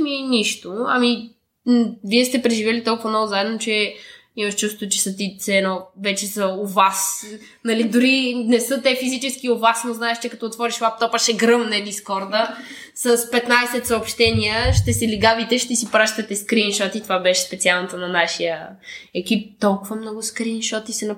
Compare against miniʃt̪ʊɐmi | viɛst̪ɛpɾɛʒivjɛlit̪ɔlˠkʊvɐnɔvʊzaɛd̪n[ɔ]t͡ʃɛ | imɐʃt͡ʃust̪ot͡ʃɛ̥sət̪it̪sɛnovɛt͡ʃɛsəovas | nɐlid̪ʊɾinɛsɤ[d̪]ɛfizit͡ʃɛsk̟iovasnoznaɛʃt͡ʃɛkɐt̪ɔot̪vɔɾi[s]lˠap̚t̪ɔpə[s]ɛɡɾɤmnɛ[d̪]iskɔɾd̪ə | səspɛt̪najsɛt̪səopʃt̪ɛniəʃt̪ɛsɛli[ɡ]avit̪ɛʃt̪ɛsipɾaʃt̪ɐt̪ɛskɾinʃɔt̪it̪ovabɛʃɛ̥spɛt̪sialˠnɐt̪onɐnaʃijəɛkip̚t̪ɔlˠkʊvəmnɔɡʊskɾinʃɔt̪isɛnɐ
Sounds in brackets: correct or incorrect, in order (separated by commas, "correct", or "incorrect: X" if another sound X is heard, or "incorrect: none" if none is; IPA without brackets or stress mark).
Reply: incorrect: o, incorrect: t̪, incorrect: ʃ, incorrect: ʃ, correct, correct